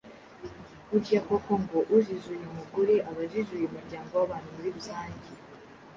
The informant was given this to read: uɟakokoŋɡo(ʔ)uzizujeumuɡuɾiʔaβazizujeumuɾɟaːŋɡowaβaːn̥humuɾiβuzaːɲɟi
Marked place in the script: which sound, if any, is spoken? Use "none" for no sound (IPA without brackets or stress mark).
ʔ